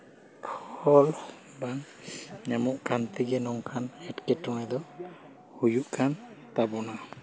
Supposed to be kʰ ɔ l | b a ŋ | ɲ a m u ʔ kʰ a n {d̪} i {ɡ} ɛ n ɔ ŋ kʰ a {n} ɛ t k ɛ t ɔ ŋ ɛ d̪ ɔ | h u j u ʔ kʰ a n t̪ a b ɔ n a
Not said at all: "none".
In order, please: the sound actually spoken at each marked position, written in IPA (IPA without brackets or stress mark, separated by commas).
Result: t̪, ɡ, n